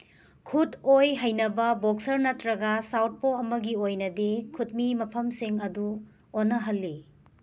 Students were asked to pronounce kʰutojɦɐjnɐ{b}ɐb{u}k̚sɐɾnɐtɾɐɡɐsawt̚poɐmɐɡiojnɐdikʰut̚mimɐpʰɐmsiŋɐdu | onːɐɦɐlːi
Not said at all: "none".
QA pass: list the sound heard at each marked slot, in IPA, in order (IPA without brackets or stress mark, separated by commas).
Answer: b, o